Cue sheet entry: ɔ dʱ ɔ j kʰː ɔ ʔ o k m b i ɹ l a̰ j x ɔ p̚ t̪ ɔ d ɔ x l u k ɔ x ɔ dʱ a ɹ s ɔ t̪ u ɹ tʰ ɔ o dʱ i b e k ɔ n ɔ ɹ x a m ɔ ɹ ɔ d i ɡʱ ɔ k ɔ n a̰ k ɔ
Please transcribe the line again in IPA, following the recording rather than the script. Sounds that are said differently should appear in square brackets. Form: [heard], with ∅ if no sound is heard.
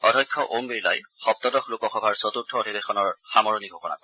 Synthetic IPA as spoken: ɔ dʱ ɔ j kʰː ɔ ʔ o [∅] m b i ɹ l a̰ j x ɔ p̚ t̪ ɔ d ɔ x l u k ɔ x ɔ [bʱ] a ɹ s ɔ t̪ u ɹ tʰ ɔ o dʱ i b e [x] ɔ n ɔ ɹ x a m ɔ ɹ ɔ [n] i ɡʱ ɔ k ɔ n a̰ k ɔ